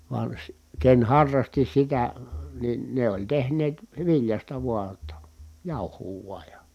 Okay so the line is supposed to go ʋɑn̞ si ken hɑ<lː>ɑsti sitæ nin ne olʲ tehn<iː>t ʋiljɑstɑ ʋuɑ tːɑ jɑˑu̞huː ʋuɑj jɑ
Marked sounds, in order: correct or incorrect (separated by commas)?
incorrect, incorrect